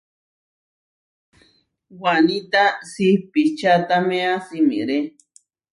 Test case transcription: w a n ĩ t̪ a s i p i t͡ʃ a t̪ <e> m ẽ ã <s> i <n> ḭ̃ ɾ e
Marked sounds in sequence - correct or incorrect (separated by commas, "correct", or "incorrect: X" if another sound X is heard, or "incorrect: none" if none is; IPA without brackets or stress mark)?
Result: incorrect: a, correct, incorrect: m